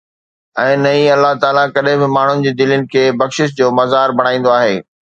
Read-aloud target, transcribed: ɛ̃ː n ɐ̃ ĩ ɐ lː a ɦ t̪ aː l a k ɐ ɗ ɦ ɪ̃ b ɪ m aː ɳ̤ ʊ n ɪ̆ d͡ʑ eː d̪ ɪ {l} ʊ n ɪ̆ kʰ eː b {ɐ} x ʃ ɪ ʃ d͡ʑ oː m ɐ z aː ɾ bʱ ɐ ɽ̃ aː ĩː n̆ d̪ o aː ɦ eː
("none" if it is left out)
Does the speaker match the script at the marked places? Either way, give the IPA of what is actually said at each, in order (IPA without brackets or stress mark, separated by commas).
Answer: l, ɐ